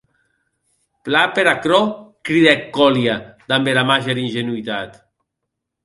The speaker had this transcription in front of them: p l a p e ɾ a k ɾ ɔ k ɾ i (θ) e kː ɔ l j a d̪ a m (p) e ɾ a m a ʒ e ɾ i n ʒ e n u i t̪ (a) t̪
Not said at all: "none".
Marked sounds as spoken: ð, b, a

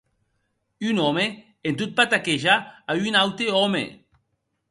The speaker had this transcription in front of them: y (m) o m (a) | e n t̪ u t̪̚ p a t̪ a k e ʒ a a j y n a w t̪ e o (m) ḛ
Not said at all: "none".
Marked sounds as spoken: n, e, m

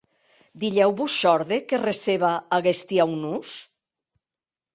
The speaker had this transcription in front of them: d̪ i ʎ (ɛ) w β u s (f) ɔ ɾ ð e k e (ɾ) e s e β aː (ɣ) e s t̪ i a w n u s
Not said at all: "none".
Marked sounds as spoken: ɛ, ʃ, r, ɣ

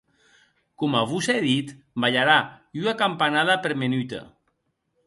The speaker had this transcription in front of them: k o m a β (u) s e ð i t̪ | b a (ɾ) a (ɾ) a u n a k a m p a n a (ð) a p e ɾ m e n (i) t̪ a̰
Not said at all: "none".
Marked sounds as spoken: u, ʎ, ɾ, ð, y

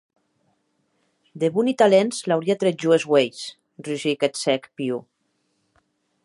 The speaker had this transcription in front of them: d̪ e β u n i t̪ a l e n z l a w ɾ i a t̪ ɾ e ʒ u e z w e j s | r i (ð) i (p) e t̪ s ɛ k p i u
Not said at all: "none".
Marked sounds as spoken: ʒ, k

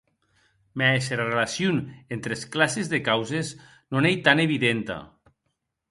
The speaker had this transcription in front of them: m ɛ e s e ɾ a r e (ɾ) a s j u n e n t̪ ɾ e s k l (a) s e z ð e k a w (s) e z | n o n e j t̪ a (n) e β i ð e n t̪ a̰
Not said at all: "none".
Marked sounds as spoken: l, a, z, n

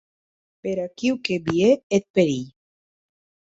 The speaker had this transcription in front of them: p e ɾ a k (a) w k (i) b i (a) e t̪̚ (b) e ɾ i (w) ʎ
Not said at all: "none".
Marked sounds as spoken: i, e, e, p, none

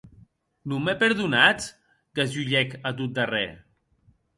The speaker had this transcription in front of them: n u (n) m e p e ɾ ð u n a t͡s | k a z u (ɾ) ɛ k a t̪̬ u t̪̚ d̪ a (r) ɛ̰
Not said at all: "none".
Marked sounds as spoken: none, ʎ, r

